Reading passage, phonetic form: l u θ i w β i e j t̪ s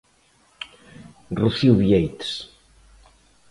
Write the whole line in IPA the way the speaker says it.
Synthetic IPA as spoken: r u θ i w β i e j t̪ s